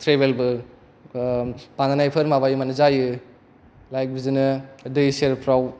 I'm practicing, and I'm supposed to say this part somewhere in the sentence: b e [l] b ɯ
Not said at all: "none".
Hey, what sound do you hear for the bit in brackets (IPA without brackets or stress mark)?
l